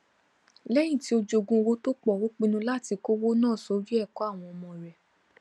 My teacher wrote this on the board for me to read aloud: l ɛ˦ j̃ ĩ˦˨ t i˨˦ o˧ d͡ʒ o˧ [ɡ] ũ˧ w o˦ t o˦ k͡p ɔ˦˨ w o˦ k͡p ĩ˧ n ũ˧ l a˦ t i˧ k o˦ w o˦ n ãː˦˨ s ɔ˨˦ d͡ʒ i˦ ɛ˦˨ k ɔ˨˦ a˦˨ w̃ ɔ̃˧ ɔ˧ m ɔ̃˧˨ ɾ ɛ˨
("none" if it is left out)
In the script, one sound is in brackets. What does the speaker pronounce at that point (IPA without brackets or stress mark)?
ɡ